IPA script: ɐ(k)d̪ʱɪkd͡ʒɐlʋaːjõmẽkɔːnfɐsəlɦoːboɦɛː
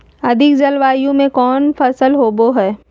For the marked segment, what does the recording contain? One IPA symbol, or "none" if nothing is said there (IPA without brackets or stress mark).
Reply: none